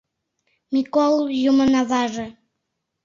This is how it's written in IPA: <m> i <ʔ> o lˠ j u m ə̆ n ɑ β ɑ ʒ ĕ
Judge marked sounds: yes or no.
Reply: yes, no

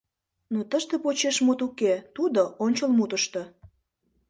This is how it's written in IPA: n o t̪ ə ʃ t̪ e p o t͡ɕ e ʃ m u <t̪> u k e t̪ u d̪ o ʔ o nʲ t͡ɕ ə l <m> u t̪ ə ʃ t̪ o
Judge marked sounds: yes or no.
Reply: yes, yes

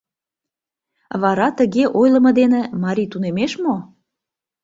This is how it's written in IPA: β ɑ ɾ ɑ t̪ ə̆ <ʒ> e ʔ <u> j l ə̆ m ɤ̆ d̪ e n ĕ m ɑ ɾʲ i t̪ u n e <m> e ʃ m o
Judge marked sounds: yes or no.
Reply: no, no, yes

